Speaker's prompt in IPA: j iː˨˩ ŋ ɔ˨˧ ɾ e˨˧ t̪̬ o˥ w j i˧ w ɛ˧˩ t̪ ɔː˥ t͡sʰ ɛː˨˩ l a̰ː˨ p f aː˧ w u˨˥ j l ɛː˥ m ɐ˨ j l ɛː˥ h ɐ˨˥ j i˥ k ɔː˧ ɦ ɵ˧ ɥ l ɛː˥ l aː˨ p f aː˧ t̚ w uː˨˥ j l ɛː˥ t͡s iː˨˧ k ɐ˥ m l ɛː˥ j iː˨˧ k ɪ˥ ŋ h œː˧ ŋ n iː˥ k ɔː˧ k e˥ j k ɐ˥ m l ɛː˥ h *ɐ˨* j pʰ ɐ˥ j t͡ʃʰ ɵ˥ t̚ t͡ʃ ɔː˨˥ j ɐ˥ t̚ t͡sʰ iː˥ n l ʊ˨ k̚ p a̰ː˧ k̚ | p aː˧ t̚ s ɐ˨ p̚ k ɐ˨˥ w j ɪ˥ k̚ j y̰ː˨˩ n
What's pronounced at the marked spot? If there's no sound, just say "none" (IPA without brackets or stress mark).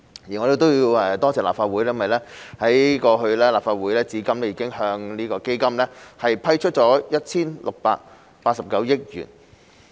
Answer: ɐ˨